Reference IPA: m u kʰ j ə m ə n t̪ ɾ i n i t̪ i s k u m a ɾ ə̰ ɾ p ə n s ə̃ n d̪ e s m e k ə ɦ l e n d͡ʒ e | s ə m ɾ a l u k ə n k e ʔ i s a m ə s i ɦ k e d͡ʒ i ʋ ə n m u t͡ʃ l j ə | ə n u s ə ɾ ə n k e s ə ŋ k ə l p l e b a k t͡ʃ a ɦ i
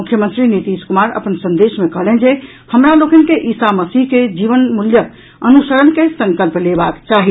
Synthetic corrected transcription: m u kʰ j ə m ə n t̪ ɾ i n i t̪ i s k u m a ɾ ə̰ p ə n s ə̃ n d̪ e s m e k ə ɦ l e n d͡ʒ e | h ə m ɾ a l o k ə n k e ʔ i s a m ə s i ɦ k e d͡ʒ i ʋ ə n m u l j ə | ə n u s ə ɾ ə n k e s ə ŋ k ə l p l e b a k t͡ʃ a ɦ i